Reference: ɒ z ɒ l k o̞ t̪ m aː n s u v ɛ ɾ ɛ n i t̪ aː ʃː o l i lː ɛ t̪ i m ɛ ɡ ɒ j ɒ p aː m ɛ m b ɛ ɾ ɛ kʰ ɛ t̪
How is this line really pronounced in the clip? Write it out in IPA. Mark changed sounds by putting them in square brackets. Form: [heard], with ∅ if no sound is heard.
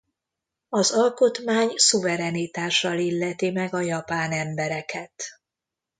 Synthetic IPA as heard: ɒ z ɒ l k o̞ t̪ m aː [ɲ] s u v ɛ ɾ ɛ n i t̪ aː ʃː [ɒ] l i lː ɛ t̪ i m ɛ ɡ ɒ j ɒ p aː [n] ɛ m b ɛ ɾ ɛ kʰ ɛ t̪